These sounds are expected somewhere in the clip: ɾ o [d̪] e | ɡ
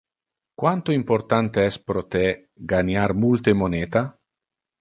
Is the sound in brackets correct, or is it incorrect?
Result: incorrect